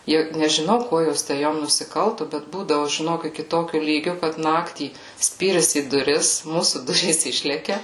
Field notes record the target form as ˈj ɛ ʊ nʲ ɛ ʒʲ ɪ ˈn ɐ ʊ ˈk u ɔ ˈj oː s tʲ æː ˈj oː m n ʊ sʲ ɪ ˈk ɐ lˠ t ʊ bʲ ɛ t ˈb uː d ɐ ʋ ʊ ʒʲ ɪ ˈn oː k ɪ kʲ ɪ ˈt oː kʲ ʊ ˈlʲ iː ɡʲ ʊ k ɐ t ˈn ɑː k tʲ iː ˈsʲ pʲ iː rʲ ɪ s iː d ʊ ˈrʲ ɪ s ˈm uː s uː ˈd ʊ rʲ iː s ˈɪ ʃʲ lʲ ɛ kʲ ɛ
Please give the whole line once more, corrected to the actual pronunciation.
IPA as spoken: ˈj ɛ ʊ nʲ ɛ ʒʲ ɪ ˈn ɐ ʊ ˈk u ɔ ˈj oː s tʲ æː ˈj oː m n ʊ sʲ ɪ ˈk ɐ lˠ t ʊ bʲ ɛ t ˈb uː d ɐ ʋ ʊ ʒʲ ɪ ˈn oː k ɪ kʲ ɪ ˈt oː kʲ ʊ ˈlʲ iː ɡʲ ʊ k ɐ t ˈn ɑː k tʲ iː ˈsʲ pʲ iː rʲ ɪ s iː d ʊ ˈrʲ ɪ s ˈm uː s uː ˈd ʊ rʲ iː s ˈɪ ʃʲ lʲ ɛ kʲ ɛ